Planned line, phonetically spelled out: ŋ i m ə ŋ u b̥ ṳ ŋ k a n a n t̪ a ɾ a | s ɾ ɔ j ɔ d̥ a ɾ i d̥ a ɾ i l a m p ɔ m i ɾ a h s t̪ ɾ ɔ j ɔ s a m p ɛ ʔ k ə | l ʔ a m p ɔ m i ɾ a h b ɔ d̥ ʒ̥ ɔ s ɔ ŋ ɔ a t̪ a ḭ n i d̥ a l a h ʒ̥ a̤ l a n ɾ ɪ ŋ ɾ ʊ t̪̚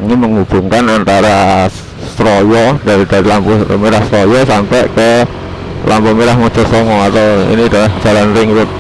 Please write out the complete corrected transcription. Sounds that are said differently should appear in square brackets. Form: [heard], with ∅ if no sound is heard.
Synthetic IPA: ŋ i m ə ŋ u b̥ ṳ ŋ k a n a n t̪ a ɾ a | s ɾ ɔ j ɔ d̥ a ɾ i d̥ a ɾ i l a m p [u] m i ɾ a h s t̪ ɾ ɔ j ɔ s a m p ɛ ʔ k ə | l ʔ a m p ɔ m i ɾ a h [m] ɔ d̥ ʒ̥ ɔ s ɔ ŋ ɔ a t̪ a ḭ n i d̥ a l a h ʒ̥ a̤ l a n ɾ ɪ ŋ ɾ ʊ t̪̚